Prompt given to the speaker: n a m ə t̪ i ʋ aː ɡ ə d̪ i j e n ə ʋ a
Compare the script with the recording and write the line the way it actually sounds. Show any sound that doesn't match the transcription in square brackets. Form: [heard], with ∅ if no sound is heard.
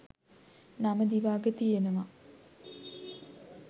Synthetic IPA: n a m ə [d̪] i ʋ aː ɡ ə [t̪] i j e n ə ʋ a

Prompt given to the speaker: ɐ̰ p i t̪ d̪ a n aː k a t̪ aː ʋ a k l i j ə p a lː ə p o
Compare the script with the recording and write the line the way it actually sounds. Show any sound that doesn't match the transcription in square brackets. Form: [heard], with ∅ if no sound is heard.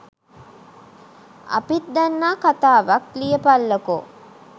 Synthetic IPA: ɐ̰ p i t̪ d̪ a [nː] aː k a t̪ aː ʋ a k l i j ə p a lː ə [k] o

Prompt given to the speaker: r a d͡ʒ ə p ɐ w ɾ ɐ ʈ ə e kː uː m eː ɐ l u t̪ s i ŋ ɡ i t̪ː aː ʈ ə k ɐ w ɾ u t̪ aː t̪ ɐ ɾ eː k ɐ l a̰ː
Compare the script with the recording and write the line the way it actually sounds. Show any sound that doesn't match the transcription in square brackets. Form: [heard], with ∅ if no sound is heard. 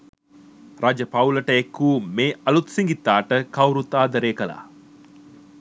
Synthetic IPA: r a d͡ʒ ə p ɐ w [l] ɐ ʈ ə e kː uː m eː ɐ l u t̪ s i ŋ ɡ i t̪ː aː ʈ ə k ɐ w ɾ u t̪ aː [d̪] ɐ ɾ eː k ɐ l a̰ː

